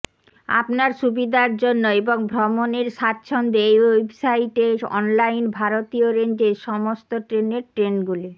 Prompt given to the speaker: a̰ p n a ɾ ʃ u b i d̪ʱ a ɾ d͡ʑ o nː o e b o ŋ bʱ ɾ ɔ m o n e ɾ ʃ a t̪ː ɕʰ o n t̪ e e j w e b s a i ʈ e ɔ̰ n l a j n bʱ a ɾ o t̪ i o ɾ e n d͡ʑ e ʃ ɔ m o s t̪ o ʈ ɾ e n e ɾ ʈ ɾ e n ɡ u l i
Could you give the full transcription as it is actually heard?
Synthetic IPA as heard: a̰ p n a ɾ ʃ u b i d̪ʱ a ɾ d͡ʑ o nː o e b o ŋ bʱ ɾ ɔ m o n e ɾ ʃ a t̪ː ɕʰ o n d̪ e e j w e b s a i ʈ e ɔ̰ n l a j n bʱ a ɾ o t̪ i o ɾ e n d͡ʑ e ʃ ɔ m o s t̪ o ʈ ɾ e n e ɾ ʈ ɾ e n ɡ u l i